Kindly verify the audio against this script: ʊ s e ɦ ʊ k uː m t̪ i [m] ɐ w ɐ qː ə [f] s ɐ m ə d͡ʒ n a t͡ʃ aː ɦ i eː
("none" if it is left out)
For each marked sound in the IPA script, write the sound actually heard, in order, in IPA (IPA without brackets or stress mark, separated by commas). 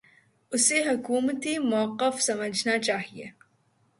m, f